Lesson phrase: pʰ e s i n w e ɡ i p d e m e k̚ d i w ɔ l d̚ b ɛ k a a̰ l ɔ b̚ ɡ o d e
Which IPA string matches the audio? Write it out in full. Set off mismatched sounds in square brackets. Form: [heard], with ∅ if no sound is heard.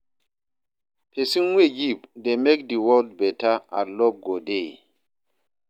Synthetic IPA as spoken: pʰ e s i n w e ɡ i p d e m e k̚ d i w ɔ l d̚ b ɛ [t] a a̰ l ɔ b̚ ɡ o d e

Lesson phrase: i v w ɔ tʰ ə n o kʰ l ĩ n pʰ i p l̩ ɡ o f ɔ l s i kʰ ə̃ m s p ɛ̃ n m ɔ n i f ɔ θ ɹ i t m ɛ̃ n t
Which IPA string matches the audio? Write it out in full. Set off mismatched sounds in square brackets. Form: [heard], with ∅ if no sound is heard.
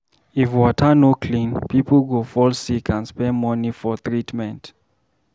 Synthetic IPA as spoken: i [f] w ɔ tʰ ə n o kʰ l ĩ n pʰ i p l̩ ɡ o f ɔ l s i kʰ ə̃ [n] s p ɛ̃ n m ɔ n i f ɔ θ ɹ i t m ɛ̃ n t

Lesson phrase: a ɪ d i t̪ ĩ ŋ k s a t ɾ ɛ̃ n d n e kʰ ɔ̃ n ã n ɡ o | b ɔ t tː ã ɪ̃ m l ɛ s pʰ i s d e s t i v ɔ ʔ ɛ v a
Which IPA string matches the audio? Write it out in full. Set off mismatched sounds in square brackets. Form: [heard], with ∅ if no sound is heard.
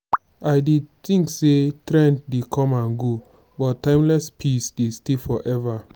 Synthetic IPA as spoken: a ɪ d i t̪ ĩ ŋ k s [e] t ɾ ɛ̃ n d [d] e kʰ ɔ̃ [m] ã n ɡ o | b ɔ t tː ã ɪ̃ m l ɛ s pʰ i s d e s t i [f] ɔ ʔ ɛ v a

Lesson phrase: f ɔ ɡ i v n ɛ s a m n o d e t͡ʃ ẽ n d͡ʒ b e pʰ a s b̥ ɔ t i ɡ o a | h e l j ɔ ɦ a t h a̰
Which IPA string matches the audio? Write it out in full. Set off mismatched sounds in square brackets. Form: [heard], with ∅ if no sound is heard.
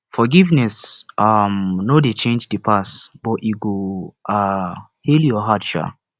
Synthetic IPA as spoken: f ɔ ɡ i v n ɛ s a m n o d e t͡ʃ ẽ n d͡ʒ [d] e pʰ a s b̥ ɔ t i ɡ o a | h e l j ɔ ɦ a t [ʃ] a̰

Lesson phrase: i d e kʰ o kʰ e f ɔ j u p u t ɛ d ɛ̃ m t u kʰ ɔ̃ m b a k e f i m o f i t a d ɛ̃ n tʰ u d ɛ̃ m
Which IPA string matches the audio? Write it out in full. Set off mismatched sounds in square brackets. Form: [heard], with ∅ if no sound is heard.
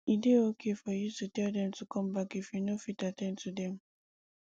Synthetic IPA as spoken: i d e [∅] o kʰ e f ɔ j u [t] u t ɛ d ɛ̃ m t u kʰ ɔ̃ m b a k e f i [n] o f i t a [t] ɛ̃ n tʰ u d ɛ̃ m

